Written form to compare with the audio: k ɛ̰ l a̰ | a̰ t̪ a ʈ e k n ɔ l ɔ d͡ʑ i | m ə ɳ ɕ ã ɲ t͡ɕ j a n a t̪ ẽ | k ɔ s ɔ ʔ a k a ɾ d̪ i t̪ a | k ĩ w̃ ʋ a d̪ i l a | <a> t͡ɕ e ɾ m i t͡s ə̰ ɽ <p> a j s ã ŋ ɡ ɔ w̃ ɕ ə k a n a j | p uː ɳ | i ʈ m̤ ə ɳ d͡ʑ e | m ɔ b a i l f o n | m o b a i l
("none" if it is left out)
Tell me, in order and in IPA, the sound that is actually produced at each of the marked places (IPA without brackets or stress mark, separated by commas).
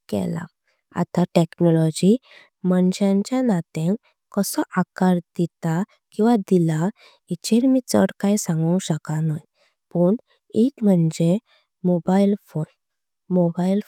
i, k